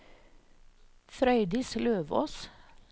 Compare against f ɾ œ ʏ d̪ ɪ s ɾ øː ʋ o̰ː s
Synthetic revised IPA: f ɾ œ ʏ d̪ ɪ s l øː ʋ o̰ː s